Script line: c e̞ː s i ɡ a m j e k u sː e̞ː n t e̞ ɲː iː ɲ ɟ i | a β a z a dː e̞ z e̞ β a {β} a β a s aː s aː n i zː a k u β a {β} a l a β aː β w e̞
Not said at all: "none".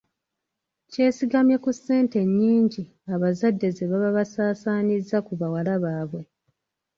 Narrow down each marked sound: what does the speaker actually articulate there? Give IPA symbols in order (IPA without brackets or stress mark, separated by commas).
β, w